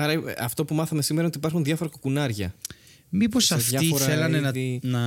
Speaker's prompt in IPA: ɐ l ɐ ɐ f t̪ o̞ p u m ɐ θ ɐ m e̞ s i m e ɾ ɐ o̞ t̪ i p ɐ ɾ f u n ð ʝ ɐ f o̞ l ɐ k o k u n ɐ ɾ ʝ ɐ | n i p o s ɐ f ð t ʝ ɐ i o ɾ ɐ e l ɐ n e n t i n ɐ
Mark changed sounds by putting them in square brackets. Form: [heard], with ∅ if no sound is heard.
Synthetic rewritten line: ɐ [ɾ] ɐ ɐ f t̪ o̞ p u m ɐ θ ɐ m e̞ s i m e ɾ ɐ o̞ t̪ i p ɐ ɾ [x] u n ð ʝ ɐ f o̞ [ɾ] ɐ k o k u n ɐ ɾ ʝ ɐ | [m] i p o s ɐ f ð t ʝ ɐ i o ɾ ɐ e l ɐ n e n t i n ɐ